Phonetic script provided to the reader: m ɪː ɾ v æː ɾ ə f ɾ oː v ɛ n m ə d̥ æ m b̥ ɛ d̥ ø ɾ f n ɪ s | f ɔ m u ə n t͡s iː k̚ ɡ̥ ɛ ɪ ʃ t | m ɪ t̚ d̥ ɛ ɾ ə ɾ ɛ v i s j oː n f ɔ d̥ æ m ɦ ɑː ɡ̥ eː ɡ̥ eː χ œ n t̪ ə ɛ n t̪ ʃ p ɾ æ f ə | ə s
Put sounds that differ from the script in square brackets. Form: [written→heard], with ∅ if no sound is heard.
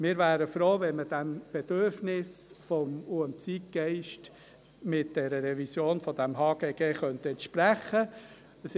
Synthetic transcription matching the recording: m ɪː ɾ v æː ɾ ə f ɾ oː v ɛ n m ə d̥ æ m b̥ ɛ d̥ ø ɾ f n ɪ s | f ɔ m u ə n t͡s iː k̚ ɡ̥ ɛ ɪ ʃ t | m ɪ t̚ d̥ ɛ ɾ ə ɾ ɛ v i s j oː n f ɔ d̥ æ m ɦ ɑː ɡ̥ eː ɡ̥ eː χ œ n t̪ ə ɛ n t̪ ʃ p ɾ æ [f→χ] ə | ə s